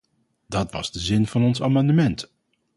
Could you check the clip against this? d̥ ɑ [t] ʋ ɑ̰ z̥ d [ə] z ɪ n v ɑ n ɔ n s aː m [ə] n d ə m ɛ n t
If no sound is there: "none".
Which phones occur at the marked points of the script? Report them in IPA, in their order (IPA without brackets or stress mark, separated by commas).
t, ə, ɑ